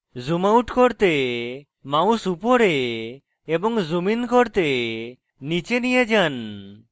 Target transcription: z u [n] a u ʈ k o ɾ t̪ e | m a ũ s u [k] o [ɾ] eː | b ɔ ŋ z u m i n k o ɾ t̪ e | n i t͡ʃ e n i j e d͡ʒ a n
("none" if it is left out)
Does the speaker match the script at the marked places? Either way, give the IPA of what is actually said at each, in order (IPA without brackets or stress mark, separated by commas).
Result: m, p, ɾ